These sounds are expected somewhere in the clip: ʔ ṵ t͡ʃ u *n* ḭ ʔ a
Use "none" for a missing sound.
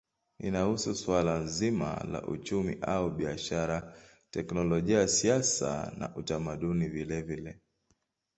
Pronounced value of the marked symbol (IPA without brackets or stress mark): m